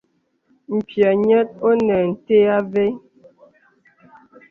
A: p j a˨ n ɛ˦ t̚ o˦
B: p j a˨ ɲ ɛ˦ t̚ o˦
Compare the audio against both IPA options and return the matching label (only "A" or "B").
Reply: B